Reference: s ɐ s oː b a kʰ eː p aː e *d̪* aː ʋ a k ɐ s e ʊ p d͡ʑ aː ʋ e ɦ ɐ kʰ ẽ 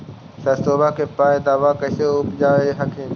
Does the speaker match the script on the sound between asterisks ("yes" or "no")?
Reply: yes